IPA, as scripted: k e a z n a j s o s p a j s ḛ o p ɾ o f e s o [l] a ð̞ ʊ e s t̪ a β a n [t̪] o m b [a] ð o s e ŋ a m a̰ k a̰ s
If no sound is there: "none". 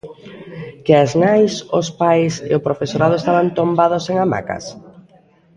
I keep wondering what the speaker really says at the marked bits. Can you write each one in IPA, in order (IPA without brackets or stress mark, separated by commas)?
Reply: ɾ, t̪, a